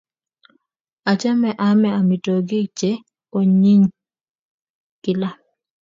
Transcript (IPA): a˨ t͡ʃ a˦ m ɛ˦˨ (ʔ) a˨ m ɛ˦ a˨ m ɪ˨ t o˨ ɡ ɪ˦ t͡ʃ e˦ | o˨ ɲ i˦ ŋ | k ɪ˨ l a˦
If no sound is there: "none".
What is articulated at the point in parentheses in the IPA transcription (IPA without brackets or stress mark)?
ʔ